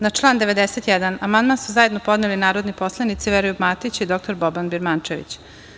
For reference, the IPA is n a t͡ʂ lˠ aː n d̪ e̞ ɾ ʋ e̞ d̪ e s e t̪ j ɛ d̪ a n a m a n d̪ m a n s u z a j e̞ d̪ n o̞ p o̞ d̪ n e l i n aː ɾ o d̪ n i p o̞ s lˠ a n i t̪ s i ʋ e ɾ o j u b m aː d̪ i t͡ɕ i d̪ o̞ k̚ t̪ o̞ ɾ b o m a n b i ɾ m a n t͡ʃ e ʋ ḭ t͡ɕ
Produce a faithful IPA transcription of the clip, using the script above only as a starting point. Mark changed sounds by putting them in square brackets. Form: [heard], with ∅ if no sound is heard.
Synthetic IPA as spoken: n a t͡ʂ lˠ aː n d̪ e̞ [∅] ʋ e̞ d̪ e s e t̪ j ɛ d̪ a n a m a n d̪ m a n s u z a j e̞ d̪ n o̞ p o̞ d̪ n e l i n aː ɾ o d̪ n i p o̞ s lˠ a n i t̪ s i ʋ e ɾ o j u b m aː [t̪] i t͡ɕ i d̪ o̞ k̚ t̪ o̞ ɾ b o [b] a n b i ɾ m a n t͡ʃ e ʋ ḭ t͡ɕ